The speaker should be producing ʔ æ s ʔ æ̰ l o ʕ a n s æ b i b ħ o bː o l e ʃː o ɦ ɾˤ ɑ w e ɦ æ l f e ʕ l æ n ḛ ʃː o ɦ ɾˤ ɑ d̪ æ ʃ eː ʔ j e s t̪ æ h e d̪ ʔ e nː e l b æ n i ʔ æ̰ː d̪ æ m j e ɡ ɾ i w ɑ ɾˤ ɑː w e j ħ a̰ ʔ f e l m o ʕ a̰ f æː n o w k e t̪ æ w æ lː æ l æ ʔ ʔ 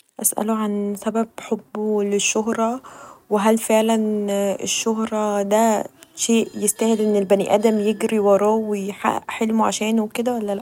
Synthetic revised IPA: ʔ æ s ʔ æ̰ l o ʕ a n s æ b æ b ħ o bː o l e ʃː o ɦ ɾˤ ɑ w e ɦ æ l f e ʕ l æ n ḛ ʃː o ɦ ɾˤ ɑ d̪ æ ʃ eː ʔ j e s t̪ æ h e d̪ ʔ e nː e l b æ n i ʔ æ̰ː d̪ æ m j e ɡ ɾ i w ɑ ɾˤ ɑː w e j ħ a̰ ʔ ħ e l m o ʕ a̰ ʃ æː n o w k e d̪ æ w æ lː æ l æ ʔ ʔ